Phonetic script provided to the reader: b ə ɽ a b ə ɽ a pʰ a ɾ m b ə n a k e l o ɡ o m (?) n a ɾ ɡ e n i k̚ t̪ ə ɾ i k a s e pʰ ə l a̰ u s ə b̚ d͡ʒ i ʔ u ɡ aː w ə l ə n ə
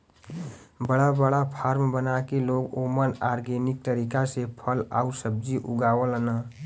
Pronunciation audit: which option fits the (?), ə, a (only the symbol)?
ə